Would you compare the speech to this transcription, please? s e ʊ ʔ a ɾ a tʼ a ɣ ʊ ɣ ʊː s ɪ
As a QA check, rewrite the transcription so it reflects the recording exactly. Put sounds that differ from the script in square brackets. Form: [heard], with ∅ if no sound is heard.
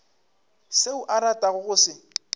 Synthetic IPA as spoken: s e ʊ ʔ a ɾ a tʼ a ɣ ʊ ɣ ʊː s ɪ